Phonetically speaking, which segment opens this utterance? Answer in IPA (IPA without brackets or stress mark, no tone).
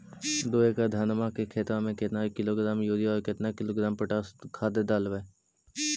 d̪